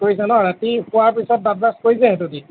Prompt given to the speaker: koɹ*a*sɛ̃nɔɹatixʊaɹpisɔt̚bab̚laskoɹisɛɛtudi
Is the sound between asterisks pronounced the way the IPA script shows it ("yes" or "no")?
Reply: no